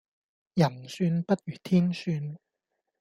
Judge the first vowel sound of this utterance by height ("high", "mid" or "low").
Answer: low